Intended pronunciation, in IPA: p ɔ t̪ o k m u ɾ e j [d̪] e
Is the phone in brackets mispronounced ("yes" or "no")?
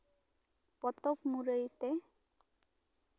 yes